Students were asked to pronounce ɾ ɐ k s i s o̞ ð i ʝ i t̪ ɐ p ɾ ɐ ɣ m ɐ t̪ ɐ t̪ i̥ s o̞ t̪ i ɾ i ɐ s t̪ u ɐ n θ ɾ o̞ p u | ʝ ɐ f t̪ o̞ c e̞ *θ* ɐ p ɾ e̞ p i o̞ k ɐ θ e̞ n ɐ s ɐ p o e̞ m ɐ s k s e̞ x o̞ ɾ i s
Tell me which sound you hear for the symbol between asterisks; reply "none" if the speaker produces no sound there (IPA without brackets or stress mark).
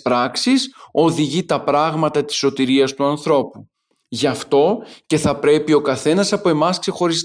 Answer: θ